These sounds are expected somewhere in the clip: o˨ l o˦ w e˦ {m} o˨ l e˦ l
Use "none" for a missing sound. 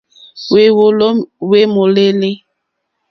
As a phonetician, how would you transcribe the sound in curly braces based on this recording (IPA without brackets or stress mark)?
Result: m